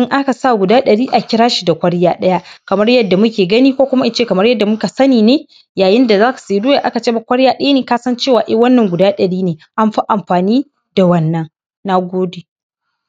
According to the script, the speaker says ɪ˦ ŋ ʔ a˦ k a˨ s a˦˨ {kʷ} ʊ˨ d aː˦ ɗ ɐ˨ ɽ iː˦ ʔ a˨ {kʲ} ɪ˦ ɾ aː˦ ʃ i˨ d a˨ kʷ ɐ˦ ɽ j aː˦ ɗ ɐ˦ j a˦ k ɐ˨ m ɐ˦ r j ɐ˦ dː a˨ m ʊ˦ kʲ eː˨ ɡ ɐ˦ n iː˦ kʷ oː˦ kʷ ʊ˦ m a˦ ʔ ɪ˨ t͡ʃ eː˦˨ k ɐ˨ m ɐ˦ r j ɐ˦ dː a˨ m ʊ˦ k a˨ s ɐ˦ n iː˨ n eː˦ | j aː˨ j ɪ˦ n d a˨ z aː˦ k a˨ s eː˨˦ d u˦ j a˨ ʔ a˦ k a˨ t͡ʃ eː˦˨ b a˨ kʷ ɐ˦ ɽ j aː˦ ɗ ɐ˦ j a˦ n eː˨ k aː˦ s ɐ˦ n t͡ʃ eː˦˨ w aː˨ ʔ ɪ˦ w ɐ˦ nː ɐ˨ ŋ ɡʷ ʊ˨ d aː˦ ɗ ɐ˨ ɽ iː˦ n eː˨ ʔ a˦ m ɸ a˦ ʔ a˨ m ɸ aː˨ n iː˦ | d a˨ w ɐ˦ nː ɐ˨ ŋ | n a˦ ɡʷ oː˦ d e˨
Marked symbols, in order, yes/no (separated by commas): no, yes